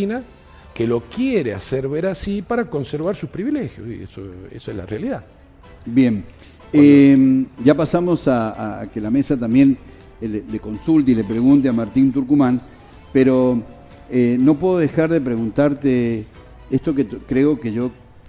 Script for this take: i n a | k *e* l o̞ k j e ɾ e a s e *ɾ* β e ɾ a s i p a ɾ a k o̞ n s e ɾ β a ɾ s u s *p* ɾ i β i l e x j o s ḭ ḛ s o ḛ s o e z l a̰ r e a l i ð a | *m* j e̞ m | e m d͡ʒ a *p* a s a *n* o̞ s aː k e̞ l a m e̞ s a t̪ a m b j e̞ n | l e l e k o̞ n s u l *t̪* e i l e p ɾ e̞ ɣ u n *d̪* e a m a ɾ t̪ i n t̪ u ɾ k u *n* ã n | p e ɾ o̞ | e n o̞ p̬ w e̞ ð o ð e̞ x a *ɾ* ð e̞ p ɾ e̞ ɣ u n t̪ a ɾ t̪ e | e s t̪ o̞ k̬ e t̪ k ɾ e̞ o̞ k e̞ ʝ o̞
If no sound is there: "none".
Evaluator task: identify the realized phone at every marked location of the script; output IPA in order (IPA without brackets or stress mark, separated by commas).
e, ɾ, p, b, p, m, t̪, t̪, m, ɾ